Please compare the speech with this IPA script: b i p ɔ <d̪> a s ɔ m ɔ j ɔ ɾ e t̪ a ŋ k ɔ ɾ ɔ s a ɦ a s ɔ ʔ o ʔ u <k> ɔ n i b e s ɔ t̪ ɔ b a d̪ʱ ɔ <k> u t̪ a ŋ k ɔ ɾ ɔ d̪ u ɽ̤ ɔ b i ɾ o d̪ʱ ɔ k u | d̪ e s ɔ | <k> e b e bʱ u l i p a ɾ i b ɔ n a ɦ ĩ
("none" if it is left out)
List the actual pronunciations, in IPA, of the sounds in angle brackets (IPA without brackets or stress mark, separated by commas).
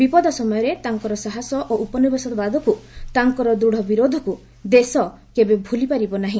d̪, p, k, k